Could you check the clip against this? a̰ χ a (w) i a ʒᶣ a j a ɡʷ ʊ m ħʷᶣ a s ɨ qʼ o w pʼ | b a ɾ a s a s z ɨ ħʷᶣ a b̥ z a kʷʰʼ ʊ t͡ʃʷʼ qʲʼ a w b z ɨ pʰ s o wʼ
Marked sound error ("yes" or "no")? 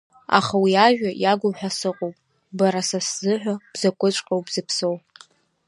no